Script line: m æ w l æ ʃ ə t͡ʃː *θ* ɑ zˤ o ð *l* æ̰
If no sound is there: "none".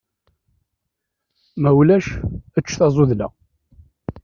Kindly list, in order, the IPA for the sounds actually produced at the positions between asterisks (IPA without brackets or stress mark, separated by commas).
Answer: θ, l